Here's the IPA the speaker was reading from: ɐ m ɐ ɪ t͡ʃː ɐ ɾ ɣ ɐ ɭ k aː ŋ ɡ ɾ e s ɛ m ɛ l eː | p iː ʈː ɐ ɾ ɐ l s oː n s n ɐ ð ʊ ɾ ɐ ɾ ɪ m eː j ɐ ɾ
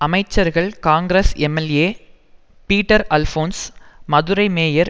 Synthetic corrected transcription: ɐ m ɐ ɪ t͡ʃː ɐ ɾ ɣ ɐ ɭ k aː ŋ ɡ ɾ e s ɛ m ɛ l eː | p iː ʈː ɐ ɾ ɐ l f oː n s m ɐ ð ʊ ɾ ɐ ɪ m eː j ɐ ɾ